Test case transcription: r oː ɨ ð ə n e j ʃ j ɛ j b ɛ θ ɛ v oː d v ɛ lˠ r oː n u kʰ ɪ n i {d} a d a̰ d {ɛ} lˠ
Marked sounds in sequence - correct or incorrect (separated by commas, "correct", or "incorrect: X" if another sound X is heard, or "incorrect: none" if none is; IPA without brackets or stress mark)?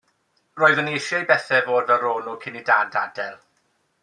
correct, correct